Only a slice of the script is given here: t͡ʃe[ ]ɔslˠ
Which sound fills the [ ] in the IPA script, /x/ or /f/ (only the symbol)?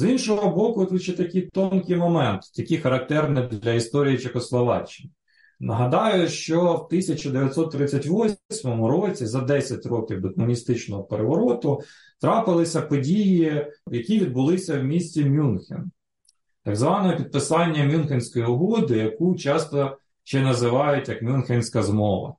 x